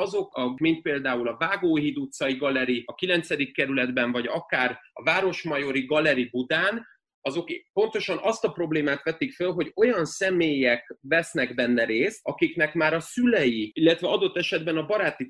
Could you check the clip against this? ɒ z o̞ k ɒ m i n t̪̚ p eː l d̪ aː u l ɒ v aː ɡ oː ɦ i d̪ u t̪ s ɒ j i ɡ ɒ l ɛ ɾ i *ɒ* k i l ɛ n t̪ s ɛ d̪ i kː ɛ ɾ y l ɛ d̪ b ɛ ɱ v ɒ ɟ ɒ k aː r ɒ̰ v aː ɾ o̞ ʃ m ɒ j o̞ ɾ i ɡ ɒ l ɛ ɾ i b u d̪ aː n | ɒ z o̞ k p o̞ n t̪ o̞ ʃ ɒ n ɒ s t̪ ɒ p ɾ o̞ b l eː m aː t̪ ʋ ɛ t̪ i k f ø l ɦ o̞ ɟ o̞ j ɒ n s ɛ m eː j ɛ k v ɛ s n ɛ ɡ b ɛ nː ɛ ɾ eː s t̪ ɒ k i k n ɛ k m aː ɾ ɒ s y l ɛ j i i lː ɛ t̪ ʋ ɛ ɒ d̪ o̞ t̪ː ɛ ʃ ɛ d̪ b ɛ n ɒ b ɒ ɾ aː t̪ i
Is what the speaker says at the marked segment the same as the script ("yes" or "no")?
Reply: yes